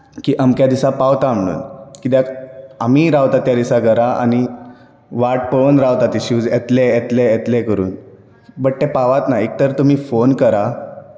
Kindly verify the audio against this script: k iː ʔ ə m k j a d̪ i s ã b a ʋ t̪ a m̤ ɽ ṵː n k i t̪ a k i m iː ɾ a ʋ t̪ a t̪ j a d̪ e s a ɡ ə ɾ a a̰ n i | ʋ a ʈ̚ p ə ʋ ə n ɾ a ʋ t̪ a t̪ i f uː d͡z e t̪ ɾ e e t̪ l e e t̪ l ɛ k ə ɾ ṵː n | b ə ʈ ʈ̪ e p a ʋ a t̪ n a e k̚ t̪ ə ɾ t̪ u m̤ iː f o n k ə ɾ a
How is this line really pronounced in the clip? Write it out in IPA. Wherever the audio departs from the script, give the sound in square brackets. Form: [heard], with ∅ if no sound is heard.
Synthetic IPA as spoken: k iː ʔ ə m k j a d̪ i s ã [p] a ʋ t̪ a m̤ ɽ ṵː n k i t̪ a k [a] m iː ɾ a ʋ t̪ a t̪ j a d̪ [i] s a ɡ ə ɾ a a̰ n i | ʋ a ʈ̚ p ə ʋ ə n ɾ a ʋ t̪ a t̪ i [ɕ] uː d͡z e t̪ [l] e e t̪ l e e t̪ l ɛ k ə ɾ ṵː n | b ə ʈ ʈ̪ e p a ʋ a t̪ n a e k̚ t̪ ə ɾ t̪ u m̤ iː f o n k ə ɾ a